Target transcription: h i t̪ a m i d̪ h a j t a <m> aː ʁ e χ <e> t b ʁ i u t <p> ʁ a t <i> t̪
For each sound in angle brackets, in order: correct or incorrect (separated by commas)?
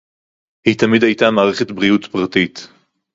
correct, correct, correct, correct